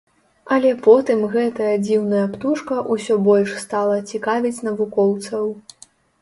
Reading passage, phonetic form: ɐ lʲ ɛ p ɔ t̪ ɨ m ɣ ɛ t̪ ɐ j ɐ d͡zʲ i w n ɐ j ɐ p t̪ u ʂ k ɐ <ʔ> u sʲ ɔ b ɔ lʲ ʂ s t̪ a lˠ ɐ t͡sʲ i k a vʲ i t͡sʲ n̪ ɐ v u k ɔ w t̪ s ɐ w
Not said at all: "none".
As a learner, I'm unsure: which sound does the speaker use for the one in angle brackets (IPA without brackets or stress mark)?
ʔ